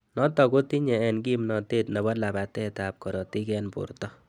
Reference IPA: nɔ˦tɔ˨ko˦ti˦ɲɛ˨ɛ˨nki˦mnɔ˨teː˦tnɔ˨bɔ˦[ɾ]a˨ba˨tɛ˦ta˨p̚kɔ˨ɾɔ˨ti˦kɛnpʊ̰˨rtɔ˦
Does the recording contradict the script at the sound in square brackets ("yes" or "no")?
yes